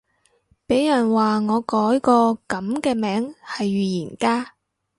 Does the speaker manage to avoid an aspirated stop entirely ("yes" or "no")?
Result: yes